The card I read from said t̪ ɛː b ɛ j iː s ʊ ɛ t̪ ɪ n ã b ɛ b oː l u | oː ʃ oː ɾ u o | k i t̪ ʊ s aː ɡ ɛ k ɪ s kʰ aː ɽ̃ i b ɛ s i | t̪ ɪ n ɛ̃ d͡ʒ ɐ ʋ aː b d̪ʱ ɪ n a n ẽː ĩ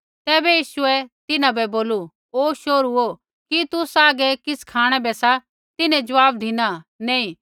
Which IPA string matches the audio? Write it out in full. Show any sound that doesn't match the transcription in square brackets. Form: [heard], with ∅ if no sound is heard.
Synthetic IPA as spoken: t̪ ɛː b ɛ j iː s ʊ ɛ t̪ ɪ n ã b ɛ b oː l u | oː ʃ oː ɾ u o | k i t̪ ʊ s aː ɡ ɛ k ɪ s kʰ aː ɽ̃ [ɛ] b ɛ s [a] | t̪ ɪ n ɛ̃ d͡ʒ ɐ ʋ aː b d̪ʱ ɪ n a n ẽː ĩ